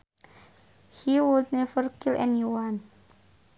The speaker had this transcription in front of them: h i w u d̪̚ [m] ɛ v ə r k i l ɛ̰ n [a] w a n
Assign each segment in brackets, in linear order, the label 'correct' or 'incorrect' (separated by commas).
incorrect, incorrect